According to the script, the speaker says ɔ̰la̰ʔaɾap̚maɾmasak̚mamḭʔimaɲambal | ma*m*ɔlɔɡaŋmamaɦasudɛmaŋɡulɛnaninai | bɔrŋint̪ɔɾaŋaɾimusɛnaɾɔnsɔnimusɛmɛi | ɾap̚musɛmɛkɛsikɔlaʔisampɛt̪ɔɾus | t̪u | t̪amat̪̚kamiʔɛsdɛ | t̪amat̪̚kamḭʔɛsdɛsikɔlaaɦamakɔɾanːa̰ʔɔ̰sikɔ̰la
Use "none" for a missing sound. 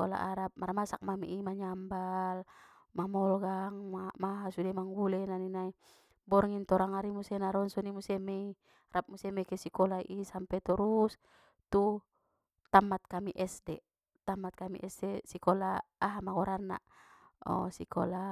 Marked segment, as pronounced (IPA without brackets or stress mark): m